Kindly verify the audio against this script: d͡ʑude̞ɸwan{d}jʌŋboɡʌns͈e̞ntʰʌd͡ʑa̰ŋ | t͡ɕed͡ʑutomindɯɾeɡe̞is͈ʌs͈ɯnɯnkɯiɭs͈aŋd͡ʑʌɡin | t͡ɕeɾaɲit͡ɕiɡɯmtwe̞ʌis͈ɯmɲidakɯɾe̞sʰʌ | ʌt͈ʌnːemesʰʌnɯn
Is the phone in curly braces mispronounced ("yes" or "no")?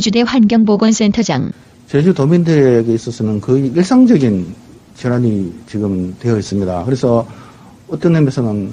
yes